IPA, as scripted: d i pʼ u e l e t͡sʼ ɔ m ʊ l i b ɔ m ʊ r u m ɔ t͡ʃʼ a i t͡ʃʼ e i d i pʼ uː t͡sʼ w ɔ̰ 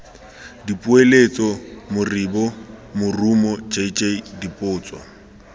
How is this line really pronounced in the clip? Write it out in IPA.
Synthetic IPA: d i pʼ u e l e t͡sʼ ɔ m ʊ r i b ɔ m ʊ r u m ɔ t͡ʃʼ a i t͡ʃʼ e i d i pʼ ʊː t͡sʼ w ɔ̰